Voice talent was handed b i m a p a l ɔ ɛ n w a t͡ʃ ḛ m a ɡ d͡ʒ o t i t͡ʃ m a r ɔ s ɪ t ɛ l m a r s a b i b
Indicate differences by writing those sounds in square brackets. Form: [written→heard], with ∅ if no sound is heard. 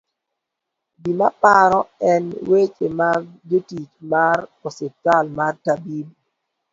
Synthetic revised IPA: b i m a p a [l→ɾ] ɔ ɛ n w [a→e] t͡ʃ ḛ m a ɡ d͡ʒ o t i t͡ʃ m a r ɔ s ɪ t [ɛ→a] l m a r [s→t] a b i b